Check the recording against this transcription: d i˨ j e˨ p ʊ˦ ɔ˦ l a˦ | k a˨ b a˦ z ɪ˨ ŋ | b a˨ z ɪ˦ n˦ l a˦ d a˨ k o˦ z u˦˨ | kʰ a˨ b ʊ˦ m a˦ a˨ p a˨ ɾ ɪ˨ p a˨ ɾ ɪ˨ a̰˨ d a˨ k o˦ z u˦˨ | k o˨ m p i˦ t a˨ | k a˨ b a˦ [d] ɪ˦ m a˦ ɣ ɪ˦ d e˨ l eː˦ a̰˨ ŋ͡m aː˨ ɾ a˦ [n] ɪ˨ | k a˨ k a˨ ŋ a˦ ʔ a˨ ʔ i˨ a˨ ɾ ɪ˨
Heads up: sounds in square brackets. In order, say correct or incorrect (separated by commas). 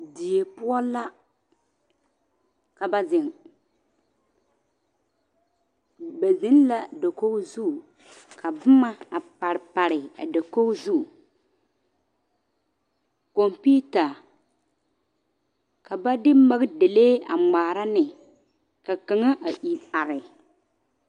correct, correct